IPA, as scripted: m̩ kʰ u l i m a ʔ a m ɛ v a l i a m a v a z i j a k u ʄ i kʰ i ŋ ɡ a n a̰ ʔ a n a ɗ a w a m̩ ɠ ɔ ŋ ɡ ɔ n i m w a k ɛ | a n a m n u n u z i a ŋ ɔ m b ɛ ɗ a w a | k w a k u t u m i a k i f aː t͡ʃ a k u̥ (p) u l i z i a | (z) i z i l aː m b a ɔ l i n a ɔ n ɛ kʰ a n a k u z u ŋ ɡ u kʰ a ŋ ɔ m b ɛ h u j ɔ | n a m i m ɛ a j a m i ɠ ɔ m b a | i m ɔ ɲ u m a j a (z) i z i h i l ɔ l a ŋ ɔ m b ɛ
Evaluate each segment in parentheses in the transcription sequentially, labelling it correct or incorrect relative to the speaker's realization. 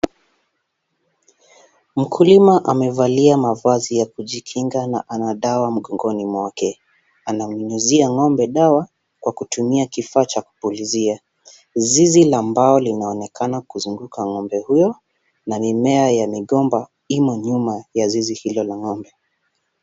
correct, correct, correct

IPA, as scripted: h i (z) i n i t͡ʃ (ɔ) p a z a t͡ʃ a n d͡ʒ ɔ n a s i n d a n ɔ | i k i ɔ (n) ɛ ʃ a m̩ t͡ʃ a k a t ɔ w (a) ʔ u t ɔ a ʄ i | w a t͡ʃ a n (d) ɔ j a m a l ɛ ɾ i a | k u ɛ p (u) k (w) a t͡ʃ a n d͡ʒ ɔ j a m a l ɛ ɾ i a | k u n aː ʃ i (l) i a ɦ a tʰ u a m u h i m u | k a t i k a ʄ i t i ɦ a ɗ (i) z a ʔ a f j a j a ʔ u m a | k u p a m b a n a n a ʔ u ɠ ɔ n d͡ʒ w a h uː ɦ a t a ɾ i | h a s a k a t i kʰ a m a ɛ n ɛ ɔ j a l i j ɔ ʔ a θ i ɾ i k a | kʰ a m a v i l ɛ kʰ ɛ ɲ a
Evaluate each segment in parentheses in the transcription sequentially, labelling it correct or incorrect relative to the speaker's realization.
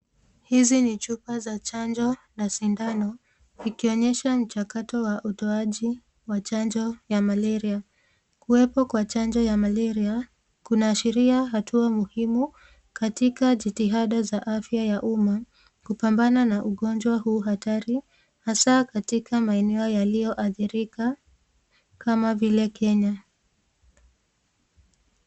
correct, incorrect, incorrect, correct, incorrect, incorrect, correct, incorrect, incorrect

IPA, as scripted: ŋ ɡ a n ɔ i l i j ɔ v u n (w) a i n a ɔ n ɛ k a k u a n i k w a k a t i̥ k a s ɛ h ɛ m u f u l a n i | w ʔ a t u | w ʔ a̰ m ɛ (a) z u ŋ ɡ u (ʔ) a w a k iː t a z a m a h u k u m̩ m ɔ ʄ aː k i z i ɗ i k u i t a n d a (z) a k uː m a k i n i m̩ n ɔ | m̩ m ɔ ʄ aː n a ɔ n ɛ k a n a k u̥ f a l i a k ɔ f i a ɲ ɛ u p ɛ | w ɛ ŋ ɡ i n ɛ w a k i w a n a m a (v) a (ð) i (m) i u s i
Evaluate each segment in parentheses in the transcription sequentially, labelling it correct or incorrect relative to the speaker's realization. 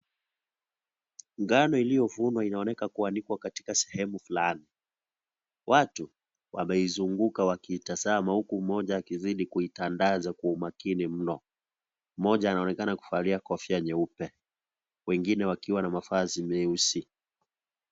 correct, incorrect, incorrect, correct, incorrect, incorrect, correct

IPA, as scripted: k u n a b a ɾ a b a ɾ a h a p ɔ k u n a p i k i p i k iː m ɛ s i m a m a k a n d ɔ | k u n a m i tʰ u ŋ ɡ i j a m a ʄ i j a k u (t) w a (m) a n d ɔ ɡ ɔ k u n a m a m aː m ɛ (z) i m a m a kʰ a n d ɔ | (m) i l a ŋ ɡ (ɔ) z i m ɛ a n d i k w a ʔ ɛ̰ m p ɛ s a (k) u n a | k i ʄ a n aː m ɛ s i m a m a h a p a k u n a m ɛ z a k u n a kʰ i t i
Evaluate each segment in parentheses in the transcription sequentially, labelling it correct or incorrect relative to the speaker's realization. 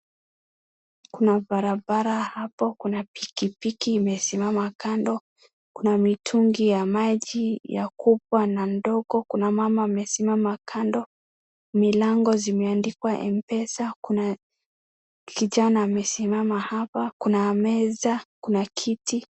incorrect, incorrect, incorrect, correct, correct, correct

